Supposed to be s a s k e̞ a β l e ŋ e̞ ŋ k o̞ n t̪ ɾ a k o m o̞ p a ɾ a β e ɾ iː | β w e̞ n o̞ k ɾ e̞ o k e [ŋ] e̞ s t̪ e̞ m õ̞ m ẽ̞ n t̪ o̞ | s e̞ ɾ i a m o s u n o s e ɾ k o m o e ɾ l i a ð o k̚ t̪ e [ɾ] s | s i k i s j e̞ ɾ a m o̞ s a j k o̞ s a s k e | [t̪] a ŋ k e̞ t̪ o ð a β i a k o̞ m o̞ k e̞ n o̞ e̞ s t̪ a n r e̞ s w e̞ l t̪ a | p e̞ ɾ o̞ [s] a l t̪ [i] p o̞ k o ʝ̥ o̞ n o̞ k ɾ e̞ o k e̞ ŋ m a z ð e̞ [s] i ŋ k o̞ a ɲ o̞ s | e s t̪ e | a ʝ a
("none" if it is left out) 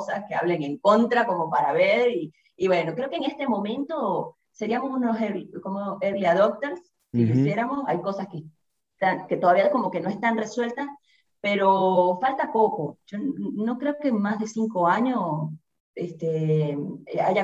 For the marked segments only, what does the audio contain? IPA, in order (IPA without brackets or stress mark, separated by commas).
ŋ, ɾ, t̪, f, a, s